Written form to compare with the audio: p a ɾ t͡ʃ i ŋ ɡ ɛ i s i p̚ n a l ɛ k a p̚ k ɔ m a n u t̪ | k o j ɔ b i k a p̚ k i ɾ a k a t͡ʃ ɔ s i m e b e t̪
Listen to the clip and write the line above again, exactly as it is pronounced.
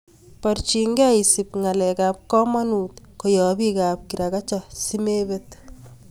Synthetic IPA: p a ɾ t͡ʃ i ŋ ɡ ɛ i s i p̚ ŋ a l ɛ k a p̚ k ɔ m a n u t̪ | k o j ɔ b i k a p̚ k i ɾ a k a t͡ʃ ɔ s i m e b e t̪